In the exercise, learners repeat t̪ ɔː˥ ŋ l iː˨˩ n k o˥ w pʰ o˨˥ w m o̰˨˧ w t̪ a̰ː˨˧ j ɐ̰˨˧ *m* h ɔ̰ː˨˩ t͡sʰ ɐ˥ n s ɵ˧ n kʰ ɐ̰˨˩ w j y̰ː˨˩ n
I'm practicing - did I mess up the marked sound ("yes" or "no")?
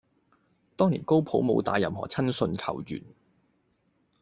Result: no